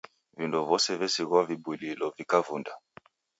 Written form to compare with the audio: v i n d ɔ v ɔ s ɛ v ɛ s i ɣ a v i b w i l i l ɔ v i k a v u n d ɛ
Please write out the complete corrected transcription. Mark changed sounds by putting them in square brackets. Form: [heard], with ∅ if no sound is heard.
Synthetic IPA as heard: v i n d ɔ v ɔ s ɛ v ɛ s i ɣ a v i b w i l i l ɔ v i k a v u n d [a]